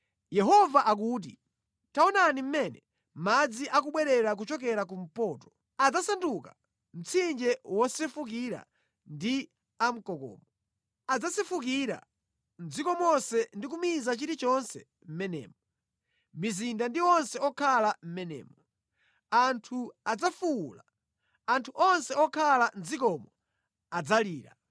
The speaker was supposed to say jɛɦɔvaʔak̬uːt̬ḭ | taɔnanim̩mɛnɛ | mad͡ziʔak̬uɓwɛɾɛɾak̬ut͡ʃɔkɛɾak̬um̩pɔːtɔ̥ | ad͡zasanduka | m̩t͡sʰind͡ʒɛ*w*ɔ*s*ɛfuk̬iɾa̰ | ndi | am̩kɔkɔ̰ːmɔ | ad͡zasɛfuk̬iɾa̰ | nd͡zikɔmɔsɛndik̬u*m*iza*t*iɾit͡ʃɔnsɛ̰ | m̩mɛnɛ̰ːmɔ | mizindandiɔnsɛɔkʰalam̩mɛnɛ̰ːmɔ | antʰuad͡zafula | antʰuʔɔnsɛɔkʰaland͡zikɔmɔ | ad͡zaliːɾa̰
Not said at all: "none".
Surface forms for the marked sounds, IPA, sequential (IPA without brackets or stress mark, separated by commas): w, s, m, t͡ʃ